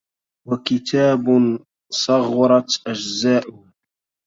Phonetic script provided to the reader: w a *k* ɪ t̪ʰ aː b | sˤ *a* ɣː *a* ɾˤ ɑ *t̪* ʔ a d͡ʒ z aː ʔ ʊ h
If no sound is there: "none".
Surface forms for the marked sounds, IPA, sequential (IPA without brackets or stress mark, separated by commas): k, ɑ, ɑ, t̪